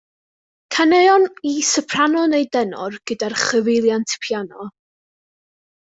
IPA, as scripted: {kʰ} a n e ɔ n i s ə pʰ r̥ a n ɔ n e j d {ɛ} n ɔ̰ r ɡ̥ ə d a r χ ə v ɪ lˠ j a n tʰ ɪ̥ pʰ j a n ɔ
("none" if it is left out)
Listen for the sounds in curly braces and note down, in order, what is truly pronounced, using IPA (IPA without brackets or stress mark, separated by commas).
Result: kʰ, ɛ